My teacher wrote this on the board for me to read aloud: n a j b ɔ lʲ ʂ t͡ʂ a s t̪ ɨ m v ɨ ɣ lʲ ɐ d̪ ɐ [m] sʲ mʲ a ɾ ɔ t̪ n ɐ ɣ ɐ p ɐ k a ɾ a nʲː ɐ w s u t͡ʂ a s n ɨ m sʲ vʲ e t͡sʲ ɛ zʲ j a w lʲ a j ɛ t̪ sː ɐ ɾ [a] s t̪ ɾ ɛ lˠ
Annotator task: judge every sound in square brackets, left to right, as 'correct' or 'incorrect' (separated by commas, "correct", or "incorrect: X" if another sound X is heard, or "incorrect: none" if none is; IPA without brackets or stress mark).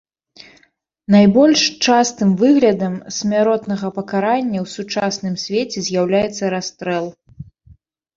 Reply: correct, correct